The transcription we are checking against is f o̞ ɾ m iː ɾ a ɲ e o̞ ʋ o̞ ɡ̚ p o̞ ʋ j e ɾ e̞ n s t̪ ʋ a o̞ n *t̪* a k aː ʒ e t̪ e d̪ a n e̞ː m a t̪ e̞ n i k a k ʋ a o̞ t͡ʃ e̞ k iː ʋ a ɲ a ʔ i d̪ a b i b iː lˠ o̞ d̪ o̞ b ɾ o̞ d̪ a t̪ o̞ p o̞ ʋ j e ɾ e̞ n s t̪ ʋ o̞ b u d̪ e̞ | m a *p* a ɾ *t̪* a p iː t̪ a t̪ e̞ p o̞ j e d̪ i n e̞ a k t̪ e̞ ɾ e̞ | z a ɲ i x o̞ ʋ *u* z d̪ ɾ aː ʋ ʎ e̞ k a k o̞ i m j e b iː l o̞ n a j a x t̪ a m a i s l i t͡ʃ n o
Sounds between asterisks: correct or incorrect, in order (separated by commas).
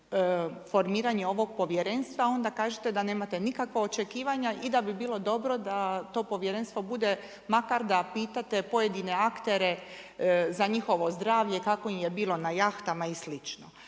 incorrect, incorrect, incorrect, incorrect